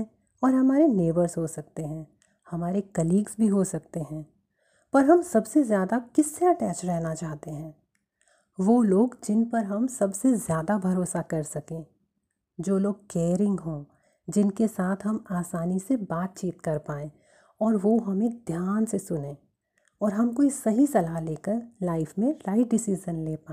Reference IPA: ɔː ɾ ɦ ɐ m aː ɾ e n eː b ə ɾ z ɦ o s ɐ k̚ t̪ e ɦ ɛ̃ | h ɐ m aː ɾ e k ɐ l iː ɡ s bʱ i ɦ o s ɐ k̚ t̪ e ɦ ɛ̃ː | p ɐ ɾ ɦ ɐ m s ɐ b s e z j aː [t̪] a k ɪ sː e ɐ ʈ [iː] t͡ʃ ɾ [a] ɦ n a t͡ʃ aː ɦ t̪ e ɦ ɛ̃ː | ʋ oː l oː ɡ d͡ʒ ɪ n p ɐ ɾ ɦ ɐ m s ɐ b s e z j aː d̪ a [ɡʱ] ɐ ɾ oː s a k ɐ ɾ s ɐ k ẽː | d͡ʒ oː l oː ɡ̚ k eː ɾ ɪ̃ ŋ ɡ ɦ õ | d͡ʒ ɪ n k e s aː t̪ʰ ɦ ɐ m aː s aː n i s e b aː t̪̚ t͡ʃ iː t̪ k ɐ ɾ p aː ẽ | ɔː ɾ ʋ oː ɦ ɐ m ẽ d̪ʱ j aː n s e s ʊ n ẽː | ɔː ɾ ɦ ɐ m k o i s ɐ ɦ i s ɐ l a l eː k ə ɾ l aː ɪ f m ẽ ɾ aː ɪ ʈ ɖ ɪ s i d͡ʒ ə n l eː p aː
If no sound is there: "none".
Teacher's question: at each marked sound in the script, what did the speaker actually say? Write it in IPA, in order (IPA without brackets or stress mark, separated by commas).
d̪, ɛː, ɛ, bʱ